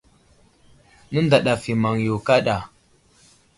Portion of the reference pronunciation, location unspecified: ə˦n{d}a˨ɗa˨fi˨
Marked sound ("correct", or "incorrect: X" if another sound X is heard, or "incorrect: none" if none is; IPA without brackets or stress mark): correct